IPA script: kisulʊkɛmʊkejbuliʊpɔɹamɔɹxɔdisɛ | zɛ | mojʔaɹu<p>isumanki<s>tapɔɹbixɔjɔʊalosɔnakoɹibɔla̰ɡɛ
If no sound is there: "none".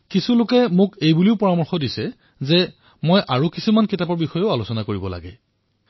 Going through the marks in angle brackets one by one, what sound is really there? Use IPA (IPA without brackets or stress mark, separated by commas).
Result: k, none